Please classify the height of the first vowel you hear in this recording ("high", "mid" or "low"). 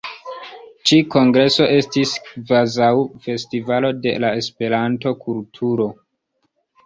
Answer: high